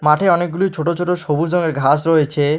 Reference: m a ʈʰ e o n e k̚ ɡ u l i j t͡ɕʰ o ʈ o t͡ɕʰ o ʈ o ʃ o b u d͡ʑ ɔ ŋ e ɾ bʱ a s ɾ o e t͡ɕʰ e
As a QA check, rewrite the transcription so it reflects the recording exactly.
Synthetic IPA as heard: m a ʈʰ e ɔ n e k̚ ɡ u l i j t͡ɕʰ o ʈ o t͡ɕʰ o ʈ o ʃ o b u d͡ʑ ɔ ŋ e ɾ ɡʱ a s ɾ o e t͡ɕʰ e